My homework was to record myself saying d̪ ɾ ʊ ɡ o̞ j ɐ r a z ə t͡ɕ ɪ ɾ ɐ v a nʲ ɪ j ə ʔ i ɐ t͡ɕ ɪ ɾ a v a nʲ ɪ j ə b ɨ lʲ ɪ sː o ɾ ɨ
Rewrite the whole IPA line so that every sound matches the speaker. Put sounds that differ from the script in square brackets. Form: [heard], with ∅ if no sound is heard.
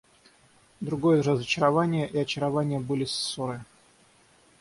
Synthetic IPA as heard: d̪ ɾ ʊ ɡ o̞ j [ə] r [ə] z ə t͡ɕ ɪ ɾ ɐ v a nʲ ɪ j ə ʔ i ɐ t͡ɕ ɪ ɾ [ɐ] v a nʲ ɪ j ə b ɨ lʲ ɪ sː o ɾ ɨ